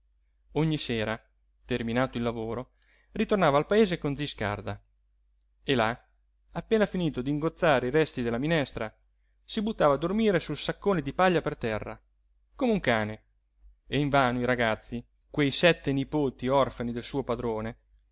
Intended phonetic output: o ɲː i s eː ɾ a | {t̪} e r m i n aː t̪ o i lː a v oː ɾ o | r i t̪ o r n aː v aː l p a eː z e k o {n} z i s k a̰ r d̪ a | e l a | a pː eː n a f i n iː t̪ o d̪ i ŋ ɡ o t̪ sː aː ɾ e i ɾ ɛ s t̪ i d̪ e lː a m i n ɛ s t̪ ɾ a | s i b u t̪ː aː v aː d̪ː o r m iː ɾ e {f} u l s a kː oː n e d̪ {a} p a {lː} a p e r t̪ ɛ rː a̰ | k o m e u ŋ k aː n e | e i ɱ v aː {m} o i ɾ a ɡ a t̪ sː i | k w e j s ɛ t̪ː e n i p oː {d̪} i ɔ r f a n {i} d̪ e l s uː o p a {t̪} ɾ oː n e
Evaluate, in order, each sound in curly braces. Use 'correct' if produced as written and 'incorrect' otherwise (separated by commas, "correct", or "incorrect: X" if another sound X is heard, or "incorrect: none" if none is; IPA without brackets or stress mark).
correct, correct, incorrect: s, incorrect: i, incorrect: ʎː, incorrect: n, incorrect: t̪, correct, incorrect: d̪